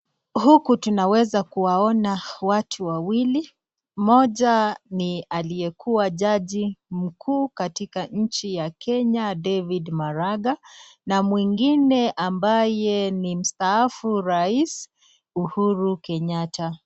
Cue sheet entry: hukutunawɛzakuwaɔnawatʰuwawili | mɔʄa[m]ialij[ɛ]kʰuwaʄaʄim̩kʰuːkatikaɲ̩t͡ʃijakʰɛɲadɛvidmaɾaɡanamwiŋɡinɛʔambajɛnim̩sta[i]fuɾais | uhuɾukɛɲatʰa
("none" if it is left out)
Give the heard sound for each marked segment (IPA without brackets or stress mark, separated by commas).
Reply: n, ɛ, a